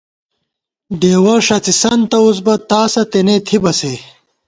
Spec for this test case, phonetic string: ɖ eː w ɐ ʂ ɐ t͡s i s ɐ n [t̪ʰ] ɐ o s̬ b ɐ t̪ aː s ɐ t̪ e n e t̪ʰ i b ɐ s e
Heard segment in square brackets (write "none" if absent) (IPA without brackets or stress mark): t̪